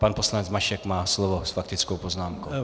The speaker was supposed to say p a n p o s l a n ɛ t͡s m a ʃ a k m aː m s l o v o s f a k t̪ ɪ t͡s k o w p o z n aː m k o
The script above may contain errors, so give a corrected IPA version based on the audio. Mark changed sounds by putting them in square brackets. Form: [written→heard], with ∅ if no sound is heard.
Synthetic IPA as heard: p a n p o s l a n ɛ t͡s m a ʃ [a→ɛ] k m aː [m→∅] s l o v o s f a k t̪ ɪ t͡s k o w p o z n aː m k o